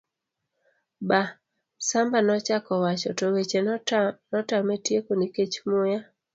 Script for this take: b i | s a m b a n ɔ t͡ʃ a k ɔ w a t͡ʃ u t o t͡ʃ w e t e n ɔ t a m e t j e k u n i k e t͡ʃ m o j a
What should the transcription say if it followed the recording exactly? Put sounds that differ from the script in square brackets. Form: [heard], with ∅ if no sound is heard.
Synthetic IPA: b [a] | s a m b a n ɔ t͡ʃ a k ɔ w a t͡ʃ [ɔ] t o [∅] w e [t͡ʃ] e n ɔ t a m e t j e k [o] n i k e t͡ʃ m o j a